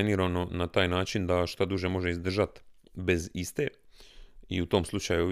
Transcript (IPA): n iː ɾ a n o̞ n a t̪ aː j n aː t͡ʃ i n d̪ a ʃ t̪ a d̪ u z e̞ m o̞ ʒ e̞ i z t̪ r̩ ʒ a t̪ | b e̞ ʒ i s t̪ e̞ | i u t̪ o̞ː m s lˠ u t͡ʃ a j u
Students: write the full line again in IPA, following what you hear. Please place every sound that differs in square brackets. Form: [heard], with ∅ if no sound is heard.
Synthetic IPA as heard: n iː ɾ a n o̞ n a t̪ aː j n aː t͡ʃ i n d̪ a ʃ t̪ a d̪ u [ʒ] e̞ m o̞ ʒ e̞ i z [d̪] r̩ ʒ a t̪ | b e̞ [z] i s t̪ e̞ | i u t̪ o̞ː m s lˠ u t͡ʃ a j u